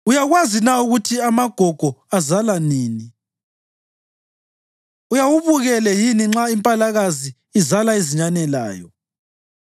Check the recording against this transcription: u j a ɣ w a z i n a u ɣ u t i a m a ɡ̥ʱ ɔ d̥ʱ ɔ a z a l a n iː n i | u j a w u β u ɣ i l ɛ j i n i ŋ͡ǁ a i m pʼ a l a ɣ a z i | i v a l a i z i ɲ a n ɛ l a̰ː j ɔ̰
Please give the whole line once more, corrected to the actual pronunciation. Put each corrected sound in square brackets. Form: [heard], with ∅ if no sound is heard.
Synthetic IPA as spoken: u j a ɣ w a z i n a u ɣ u [tʰ] i a m a ɡ̥ʱ ɔ [ɡ̥ʱ] ɔ a z a l a n iː n i | u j a w u β u ɣ [ɛ] l ɛ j i n i ŋ͡ǁ a i m pʼ a l a ɣ a z i | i [z] a l a i z i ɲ a n ɛ l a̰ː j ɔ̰